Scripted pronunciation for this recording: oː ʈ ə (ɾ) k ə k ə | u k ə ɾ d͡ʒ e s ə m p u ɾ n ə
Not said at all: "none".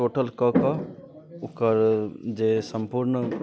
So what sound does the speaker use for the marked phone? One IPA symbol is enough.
l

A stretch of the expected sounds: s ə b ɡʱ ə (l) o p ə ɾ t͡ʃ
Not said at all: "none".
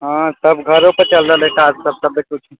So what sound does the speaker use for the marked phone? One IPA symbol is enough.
ɾ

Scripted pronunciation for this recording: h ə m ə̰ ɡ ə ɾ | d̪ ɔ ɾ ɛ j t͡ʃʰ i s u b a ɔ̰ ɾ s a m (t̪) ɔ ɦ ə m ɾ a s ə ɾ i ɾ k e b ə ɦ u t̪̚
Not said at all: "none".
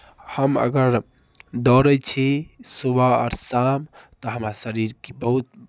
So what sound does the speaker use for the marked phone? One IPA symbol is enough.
t̪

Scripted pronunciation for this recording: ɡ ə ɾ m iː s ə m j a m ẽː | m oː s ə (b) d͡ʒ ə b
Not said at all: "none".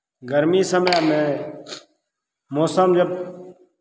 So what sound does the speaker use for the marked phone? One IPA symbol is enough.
m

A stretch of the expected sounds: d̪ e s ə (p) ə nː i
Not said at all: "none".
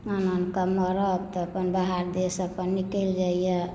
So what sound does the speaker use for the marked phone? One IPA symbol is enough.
p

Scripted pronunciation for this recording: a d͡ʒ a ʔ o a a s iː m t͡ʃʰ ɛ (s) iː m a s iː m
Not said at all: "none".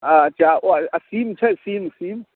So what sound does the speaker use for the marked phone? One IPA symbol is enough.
s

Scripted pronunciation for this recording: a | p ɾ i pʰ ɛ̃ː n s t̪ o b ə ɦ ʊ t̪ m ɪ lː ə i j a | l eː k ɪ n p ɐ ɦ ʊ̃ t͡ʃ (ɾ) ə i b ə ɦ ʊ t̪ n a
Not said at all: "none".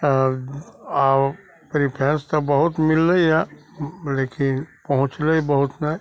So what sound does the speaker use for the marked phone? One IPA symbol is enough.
l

